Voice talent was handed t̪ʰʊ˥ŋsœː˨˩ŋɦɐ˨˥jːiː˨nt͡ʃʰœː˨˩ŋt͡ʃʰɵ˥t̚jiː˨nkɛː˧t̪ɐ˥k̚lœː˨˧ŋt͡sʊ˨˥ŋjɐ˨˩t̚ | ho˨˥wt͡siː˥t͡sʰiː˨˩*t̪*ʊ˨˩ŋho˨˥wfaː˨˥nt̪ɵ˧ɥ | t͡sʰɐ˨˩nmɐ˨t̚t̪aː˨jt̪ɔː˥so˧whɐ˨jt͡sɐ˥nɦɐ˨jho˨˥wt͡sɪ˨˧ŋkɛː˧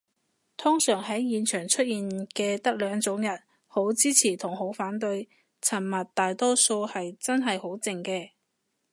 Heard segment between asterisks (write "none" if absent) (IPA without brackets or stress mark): t̪ʰ